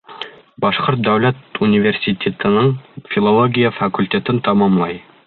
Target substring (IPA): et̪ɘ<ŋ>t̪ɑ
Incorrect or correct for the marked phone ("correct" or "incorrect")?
incorrect